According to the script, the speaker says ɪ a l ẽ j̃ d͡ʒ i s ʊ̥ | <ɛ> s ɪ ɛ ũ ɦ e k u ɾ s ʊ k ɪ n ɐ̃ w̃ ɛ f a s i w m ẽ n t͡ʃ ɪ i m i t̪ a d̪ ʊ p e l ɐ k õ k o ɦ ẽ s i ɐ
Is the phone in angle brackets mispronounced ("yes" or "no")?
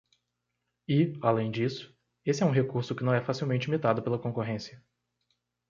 yes